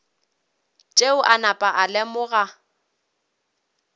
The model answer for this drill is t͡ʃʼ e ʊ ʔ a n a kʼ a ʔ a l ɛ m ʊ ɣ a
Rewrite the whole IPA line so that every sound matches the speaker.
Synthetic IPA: t͡ʃʼ e ʊ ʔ a n a pʼ a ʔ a l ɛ m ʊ ɣ a

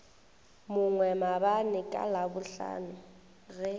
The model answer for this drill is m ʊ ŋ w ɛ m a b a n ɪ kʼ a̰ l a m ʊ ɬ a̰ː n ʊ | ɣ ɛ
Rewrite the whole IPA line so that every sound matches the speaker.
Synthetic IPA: m ʊ ŋ w ɛ m a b a n ɪ kʼ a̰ l a b ʊ ɬ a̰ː n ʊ | ɣ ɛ

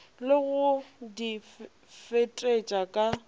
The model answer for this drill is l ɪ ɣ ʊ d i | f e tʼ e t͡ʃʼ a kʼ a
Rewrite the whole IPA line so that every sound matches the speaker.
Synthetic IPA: l ɪ ɣ ʊ d i | f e tʼ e t͡ʃʼ a kʼ a

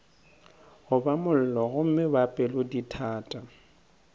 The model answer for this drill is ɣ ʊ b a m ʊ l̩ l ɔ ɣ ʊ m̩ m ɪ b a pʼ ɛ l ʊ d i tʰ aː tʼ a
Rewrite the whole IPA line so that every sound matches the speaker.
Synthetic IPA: ɣ ʊ b a m ʊ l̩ l ɔ ɣ ʊ m̩ m ɪ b a pʼ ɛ l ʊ d i tʰ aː tʼ a

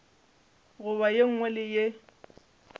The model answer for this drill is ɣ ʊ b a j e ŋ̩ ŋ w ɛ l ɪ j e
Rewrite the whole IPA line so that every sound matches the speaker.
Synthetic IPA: ɣ ʊ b a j e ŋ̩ ŋ w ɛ l ɪ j e

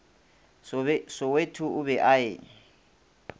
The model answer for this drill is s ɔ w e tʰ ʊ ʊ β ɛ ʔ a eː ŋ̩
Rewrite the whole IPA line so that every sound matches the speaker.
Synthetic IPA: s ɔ w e tʰ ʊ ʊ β ɛ ʔ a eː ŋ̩

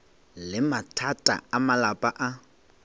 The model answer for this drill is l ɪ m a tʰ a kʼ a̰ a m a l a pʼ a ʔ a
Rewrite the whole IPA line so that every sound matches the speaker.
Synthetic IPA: l ɪ m a tʰ a tʼ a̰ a m a l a pʼ a ʔ a

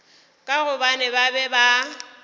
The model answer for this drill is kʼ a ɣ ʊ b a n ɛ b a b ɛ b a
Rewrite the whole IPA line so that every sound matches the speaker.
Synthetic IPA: kʼ a ɣ ʊ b a n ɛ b a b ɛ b a

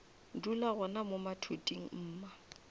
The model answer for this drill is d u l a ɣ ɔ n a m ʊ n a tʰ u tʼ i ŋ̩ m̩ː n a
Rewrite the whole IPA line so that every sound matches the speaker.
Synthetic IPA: d u l a ɣ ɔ n a m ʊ m a tʰ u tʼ i ŋ̩ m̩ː m a

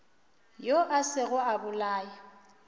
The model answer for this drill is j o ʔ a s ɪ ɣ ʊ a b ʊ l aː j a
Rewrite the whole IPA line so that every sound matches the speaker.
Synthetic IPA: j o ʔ a s ɪ ɣ ʊ a b ʊ l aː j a

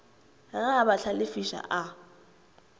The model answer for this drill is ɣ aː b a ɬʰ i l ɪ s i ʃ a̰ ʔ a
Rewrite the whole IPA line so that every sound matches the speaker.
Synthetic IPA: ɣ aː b a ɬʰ a l ɪ f i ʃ a̰ ʔ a

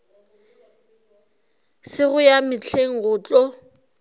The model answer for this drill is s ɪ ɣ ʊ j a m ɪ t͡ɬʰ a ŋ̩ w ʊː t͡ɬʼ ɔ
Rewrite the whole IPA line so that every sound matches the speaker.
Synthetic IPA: s ɪ ɣ ʊ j a m ɪ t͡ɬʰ e ŋ̩ ɣ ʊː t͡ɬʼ ɔ

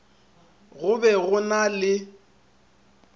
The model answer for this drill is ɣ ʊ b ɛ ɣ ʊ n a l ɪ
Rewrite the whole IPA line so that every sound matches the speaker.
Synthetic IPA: ɣ ʊ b ɛ ɣ ʊ n a l ɪ

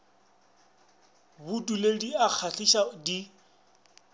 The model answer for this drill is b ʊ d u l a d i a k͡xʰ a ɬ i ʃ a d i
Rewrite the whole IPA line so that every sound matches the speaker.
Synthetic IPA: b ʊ d u l e d i a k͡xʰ a ɬ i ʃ a d i

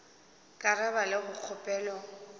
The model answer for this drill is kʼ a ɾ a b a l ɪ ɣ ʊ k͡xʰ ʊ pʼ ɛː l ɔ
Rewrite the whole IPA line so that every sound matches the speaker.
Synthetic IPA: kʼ a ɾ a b a l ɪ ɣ ʊ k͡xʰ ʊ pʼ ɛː l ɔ

